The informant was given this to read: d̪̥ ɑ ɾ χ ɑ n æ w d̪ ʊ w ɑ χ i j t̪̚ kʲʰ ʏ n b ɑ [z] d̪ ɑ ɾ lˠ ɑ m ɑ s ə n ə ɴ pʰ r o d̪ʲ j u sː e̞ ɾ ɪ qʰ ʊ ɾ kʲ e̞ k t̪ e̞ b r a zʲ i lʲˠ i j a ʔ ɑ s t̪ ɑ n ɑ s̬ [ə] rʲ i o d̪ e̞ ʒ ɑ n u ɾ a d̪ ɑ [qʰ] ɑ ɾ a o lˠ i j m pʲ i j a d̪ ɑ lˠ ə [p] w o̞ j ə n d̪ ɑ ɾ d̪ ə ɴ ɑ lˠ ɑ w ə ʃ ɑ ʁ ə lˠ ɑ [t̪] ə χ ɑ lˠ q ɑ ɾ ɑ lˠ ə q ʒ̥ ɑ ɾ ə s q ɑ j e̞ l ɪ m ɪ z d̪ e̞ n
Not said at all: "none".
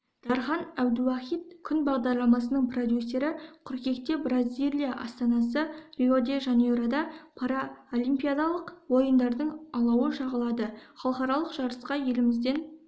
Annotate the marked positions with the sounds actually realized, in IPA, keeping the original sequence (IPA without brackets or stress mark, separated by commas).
ʁ, ə, pʰ, q, d̪